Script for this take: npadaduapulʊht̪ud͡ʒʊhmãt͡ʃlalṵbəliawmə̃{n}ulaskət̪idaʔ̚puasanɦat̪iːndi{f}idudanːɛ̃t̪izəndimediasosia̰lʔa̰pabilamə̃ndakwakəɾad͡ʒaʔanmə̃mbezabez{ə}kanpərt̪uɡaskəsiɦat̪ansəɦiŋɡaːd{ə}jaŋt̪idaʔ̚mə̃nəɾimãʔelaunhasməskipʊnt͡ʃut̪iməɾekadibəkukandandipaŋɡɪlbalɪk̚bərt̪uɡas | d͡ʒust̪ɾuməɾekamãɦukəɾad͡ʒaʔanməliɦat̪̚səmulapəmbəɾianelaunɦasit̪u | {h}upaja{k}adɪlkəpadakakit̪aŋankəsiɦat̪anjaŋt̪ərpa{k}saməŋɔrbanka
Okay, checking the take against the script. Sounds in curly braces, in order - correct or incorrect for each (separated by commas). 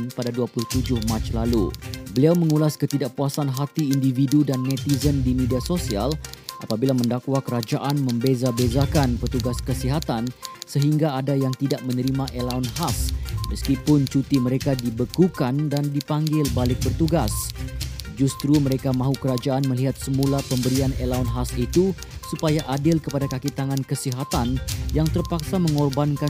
incorrect, incorrect, incorrect, incorrect, incorrect, incorrect, correct